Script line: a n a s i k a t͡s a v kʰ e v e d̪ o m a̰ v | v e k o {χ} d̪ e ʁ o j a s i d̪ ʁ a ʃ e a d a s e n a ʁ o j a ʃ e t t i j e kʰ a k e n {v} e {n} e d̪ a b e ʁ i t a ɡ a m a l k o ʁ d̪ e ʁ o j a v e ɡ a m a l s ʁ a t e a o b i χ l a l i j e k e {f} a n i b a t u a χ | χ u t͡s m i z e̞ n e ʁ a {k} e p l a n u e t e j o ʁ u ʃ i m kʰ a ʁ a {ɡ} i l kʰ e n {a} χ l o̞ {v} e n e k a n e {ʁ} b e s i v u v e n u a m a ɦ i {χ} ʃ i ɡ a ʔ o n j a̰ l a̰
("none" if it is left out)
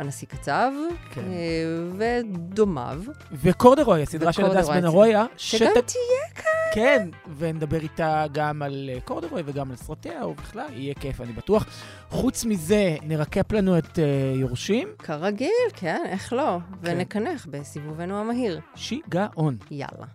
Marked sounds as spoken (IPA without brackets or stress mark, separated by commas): ʁ, v, n, f, k, ɡ, e, v, χ, ʁ